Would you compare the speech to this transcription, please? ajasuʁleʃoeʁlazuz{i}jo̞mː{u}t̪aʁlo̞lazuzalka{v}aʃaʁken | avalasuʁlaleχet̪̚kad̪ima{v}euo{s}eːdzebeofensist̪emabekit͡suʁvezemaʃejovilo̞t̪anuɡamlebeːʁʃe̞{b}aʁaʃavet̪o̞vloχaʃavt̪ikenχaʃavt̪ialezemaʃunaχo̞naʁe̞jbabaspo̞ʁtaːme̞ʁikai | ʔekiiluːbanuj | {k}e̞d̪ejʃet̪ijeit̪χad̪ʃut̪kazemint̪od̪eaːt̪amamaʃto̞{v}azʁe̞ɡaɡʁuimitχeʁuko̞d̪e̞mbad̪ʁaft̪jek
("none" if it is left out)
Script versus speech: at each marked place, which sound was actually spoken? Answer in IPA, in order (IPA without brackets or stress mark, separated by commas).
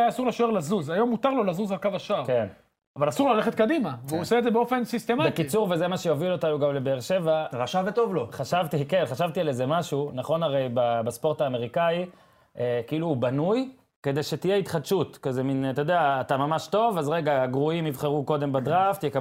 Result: a, u, v, v, s, v, k, v